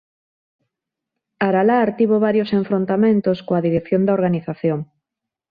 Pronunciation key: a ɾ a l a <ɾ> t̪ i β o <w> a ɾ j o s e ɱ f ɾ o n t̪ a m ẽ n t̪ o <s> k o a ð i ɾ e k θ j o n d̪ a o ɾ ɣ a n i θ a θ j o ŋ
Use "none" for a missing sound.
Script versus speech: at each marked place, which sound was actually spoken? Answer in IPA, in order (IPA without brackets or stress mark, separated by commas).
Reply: ɾ, β, s